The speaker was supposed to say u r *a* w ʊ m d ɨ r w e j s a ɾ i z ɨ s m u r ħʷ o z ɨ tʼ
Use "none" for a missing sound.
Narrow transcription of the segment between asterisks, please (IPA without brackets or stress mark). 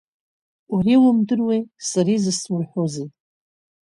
i